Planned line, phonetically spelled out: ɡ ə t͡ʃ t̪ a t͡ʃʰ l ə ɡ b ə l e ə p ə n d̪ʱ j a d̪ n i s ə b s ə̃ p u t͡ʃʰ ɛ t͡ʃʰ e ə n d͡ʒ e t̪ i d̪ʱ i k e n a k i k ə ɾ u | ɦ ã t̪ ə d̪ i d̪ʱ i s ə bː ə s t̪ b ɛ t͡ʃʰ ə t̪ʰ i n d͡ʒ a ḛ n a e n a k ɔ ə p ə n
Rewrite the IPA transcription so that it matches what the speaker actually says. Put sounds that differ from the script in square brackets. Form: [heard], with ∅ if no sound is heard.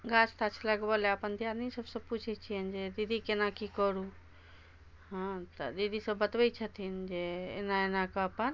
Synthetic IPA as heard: ɡ [a] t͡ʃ t̪ a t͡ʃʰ l ə ɡ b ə l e ə p ə n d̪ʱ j a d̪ n i s ə b s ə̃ p u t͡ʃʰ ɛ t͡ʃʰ [i] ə n d͡ʒ e [d̪] i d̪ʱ i k e n a k i k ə ɾ u | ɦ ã t̪ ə d̪ i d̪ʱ i s ə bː ə [∅] t̪ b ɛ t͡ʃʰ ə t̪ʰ i n d͡ʒ [e] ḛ n a e n a k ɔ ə p ə n

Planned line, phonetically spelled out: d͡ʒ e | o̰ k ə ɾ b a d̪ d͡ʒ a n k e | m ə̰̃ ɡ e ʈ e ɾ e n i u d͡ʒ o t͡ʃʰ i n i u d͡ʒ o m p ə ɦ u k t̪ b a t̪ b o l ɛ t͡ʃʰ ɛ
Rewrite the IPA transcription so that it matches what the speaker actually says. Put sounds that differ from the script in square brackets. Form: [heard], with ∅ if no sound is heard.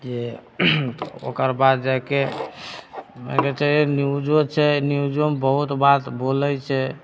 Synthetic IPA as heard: d͡ʒ e | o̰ k ə ɾ b a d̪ d͡ʒ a [∅] k e | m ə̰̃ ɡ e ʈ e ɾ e n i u d͡ʒ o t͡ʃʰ [ɛ] n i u d͡ʒ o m [b] ə ɦ u [∅] t̪ b a t̪ b o l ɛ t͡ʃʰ ɛ

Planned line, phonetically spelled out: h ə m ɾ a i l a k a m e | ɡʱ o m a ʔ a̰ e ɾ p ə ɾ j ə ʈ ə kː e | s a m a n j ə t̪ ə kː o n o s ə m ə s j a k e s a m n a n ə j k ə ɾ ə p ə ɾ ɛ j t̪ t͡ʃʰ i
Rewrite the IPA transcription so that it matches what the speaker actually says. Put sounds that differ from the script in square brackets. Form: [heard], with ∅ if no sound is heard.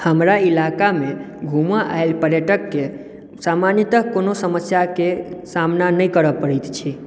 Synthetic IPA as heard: h ə m ɾ a i l a k a m e | ɡʱ [u] m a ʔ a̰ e [l] p ə ɾ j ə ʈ ə kː e | s a m a n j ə t̪ ə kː o n o s ə m ə s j a k e s a m n a n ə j k ə ɾ ə p ə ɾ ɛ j t̪ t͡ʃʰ i

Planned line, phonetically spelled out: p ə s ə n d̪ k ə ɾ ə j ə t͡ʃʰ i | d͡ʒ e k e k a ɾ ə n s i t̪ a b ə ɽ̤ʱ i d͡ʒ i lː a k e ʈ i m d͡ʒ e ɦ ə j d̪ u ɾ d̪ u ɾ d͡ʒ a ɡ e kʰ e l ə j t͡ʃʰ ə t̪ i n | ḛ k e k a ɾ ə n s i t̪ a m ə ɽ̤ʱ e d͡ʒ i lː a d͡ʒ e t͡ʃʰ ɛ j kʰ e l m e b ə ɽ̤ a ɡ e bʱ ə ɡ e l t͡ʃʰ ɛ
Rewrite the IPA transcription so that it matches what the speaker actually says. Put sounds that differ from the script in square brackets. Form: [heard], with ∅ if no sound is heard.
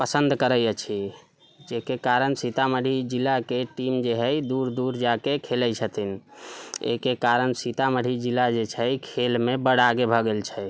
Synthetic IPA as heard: p ə s ə n d̪ k ə ɾ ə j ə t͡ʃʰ i | d͡ʒ e k e k a ɾ ə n s i t̪ a [m] ə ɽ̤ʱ i d͡ʒ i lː a k e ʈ i m d͡ʒ e ɦ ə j d̪ u ɾ d̪ u ɾ d͡ʒ a [k] e kʰ e l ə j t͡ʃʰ ə t̪ i n | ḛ k e k a ɾ ə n s i t̪ a m ə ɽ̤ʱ [i] d͡ʒ i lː a d͡ʒ e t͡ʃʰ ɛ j kʰ e l m e b ə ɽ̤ a ɡ e bʱ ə ɡ e l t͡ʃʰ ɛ

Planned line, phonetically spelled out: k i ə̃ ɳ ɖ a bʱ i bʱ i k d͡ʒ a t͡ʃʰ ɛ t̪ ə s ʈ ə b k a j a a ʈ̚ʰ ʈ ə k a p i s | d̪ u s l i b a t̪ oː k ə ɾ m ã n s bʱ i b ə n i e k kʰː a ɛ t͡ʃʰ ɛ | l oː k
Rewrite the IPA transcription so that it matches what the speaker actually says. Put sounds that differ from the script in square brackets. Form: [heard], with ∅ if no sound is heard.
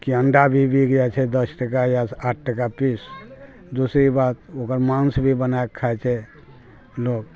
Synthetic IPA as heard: k i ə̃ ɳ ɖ a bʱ i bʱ i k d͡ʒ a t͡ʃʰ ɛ [d̪] ə s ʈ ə [∅] k a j a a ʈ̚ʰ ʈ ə k a p i s | d̪ u s [ɾ] i b a t̪ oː k ə ɾ m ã n s bʱ i b ə n [a] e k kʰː a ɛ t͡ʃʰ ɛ | l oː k

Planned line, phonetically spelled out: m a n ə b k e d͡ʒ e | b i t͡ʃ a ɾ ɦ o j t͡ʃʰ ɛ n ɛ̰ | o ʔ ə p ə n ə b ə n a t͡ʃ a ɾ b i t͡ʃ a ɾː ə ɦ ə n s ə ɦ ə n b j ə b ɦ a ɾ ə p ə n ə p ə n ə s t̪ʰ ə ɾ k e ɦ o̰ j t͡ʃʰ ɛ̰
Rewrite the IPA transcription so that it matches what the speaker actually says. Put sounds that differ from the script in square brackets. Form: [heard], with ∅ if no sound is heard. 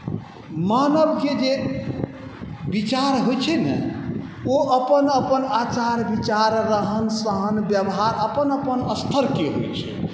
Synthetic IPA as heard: m a n ə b k e d͡ʒ e | b i t͡ʃ a ɾ ɦ o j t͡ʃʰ ɛ n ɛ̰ | o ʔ ə p ə n ə [p] ə n a t͡ʃ a ɾ b i t͡ʃ a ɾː ə ɦ ə n s ə ɦ ə n b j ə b ɦ a ɾ ə p ə n ə p ə n ə s t̪ʰ ə ɾ k e ɦ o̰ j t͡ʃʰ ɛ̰

